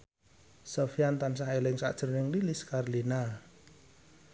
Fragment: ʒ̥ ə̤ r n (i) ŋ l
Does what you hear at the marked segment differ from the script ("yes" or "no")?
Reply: yes